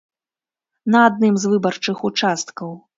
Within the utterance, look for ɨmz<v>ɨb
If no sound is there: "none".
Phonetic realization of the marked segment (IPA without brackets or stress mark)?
v